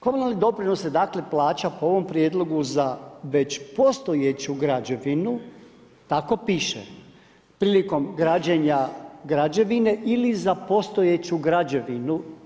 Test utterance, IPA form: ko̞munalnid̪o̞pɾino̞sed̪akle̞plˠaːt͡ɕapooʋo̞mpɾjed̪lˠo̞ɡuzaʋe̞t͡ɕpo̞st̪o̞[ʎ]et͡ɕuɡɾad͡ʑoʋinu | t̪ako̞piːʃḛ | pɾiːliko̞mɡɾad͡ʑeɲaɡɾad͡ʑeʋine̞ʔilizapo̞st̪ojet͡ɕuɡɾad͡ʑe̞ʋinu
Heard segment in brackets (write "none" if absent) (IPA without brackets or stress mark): j